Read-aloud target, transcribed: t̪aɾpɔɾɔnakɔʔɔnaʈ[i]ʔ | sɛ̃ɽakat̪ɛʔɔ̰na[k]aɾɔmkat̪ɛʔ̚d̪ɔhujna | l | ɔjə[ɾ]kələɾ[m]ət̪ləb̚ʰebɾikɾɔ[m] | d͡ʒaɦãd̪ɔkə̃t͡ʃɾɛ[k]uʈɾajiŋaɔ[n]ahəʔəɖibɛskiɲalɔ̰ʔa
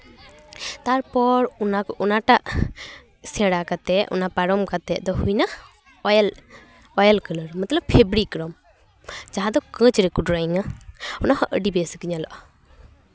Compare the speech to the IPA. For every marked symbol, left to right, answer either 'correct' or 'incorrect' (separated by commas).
incorrect, incorrect, incorrect, correct, correct, correct, correct